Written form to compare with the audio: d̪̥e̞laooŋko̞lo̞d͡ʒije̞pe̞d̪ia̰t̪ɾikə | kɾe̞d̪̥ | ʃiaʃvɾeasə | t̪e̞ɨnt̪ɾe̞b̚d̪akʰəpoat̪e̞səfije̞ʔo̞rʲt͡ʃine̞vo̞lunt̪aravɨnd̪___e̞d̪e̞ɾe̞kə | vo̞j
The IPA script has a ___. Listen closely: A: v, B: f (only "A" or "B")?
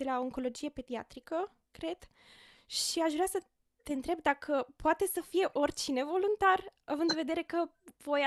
A